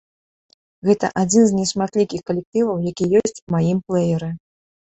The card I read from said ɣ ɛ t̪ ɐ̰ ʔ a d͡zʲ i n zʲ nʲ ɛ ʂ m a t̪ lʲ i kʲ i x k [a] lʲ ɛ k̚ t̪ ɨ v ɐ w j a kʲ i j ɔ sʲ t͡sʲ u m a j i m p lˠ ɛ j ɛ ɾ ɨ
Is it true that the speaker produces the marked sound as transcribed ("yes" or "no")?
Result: no